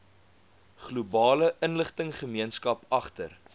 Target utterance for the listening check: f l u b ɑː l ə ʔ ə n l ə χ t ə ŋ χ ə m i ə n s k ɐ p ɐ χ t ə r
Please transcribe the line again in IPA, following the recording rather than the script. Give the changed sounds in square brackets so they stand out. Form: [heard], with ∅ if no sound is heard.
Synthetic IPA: [χ] l u b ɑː l ə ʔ ə n l ə χ t ə ŋ χ ə m i ə n s k ɐ p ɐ χ t ə r